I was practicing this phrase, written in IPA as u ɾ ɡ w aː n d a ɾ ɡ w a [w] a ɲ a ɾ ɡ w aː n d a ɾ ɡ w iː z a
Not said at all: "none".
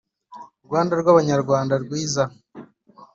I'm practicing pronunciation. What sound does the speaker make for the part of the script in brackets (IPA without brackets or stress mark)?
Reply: β